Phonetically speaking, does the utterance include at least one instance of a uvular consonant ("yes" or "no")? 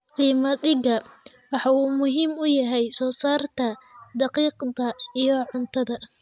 yes